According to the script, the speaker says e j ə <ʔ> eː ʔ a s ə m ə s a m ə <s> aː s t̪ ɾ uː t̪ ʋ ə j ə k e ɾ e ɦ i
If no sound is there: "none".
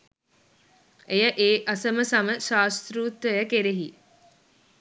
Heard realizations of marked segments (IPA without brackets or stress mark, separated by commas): ʔ, ʃ